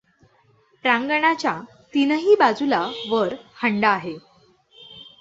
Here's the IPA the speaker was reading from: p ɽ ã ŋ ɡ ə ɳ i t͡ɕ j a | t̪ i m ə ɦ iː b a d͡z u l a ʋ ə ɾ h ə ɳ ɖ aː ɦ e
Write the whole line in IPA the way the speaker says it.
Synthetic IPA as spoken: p ɾ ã ŋ ɡ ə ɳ a t͡ɕ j a | t̪ i n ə ɦ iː b a d͡z u l a ʋ ə ɾ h ə ɳ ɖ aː ɦ e